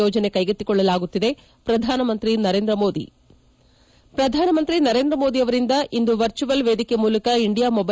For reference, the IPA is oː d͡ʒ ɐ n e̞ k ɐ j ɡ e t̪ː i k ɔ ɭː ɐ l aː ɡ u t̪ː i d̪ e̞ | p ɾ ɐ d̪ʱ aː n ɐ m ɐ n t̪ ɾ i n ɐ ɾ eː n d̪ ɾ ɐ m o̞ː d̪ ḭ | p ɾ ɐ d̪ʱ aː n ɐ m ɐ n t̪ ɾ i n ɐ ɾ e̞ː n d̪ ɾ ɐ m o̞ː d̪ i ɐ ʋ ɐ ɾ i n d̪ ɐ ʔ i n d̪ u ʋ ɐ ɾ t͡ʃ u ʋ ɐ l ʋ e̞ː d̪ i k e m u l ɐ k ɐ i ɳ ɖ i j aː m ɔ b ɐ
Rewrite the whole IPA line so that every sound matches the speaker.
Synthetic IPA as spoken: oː d͡ʒ ɐ n e̞ k ɐ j ɡ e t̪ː i k ɔ ɭː ɐ l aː ɡ u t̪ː i d̪ e̞ | p ɾ ɐ d̪ʱ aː n ɐ m ɐ n t̪ ɾ i n ɐ ɾ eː n d̪ ɾ ɐ m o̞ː d̪ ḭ | p ɾ ɐ d̪ʱ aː n ɐ m ɐ n t̪ ɾ i n ɐ ɾ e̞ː n d̪ ɾ ɐ m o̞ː d̪ i ɐ ʋ ɐ ɾ i n d̪ ɐ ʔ i n d̪ u ʋ ɐ ɾ t͡ʃ u ʋ ɐ l ʋ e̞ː d̪ i k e m uː l ɐ k ɐ i ɳ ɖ i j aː m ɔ b ɐ